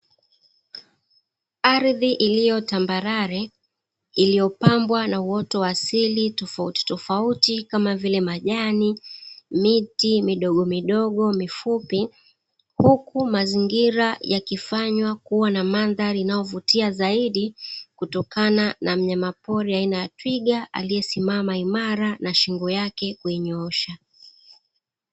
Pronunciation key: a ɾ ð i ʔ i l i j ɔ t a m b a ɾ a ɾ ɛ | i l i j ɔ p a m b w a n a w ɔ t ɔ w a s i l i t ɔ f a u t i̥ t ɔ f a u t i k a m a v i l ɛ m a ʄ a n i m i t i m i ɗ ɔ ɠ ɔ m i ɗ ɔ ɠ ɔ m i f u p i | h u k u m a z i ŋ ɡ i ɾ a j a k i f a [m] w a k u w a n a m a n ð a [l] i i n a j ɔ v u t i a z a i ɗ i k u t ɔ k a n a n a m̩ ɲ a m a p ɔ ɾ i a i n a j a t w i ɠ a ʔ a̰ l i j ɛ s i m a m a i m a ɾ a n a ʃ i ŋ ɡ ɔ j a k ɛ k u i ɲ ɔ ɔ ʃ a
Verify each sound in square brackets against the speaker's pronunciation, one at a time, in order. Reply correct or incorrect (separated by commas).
incorrect, incorrect